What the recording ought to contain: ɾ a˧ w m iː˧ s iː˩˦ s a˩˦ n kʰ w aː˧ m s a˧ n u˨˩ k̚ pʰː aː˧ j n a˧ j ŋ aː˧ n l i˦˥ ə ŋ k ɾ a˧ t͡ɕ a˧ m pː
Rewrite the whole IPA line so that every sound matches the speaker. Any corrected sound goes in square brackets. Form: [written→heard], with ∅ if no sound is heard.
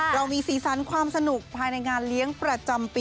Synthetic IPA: ɾ a˧ w m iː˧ s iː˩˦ s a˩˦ n kʰ w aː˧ m s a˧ n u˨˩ k̚ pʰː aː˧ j n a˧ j ŋ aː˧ n l i˦˥ ə ŋ [k→p] ɾ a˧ t͡ɕ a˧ m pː